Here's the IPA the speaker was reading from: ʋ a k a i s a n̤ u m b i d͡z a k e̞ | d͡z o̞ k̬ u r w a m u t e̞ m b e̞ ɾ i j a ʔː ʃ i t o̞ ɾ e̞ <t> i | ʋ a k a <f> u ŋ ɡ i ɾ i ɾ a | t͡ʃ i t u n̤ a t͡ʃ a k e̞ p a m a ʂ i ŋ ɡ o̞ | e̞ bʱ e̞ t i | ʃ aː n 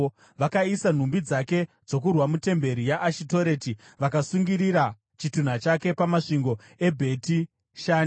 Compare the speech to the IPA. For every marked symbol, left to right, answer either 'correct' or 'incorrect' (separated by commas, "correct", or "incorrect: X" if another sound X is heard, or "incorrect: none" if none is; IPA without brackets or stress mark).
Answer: correct, incorrect: s